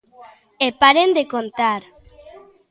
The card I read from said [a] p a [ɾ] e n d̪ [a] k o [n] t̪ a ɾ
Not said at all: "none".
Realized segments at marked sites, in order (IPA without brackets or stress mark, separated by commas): e, ɾ, e, n